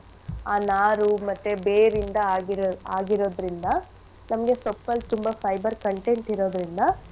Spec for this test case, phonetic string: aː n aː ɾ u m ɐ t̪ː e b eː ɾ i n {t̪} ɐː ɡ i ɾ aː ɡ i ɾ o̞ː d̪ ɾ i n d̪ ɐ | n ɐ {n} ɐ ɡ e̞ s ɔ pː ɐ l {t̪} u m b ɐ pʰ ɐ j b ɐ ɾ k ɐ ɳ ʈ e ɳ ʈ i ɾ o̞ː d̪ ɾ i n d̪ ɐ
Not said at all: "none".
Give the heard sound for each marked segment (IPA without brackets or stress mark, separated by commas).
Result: d̪, m, t̪